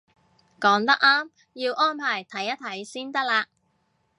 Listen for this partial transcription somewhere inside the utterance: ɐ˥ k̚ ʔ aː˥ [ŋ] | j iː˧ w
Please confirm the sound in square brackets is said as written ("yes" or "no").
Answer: no